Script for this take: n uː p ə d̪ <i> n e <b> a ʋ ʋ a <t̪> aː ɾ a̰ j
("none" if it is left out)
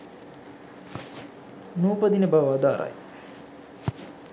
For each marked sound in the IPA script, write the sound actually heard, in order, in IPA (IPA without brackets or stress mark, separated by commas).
i, b, d̪